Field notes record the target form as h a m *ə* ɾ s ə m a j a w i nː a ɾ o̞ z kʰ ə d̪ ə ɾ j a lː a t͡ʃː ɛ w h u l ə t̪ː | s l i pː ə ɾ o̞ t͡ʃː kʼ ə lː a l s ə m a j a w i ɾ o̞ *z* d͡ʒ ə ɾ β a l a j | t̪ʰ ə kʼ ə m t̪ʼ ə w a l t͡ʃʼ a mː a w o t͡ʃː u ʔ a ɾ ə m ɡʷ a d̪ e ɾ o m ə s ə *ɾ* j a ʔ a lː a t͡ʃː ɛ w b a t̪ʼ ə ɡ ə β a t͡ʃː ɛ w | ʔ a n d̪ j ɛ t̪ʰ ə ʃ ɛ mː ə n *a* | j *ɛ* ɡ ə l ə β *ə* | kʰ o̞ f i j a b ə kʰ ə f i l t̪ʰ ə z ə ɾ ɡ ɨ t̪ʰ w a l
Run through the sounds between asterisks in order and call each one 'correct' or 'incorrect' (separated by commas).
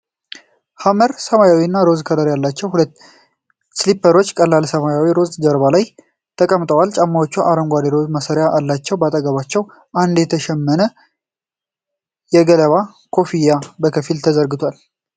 correct, correct, correct, incorrect, correct, incorrect